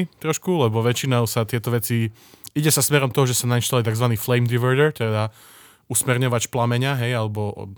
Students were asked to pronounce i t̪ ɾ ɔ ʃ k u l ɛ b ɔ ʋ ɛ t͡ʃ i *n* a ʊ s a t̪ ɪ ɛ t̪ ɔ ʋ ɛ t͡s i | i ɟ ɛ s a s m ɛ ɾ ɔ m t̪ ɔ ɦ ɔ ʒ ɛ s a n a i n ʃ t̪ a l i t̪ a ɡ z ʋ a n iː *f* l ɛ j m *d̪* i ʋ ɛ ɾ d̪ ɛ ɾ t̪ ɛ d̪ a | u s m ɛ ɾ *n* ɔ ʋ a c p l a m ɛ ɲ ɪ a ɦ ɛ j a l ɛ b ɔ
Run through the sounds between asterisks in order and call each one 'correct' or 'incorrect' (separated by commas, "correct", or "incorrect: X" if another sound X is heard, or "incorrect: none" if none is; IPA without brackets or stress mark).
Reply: correct, correct, correct, incorrect: ɲ